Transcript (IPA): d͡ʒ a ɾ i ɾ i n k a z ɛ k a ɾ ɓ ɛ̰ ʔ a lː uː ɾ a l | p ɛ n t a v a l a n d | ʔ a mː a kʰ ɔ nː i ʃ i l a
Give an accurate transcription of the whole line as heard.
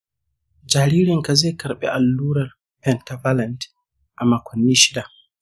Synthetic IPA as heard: d͡ʒ a ɾ i ɾ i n k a z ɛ k a ɾ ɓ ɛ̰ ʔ a lː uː ɾ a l | p ɛ n t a v a l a n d | ʔ a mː a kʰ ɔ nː i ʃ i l a